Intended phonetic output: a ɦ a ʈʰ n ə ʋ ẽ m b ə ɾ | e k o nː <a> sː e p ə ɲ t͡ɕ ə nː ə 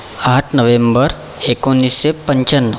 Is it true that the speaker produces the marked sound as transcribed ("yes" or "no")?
no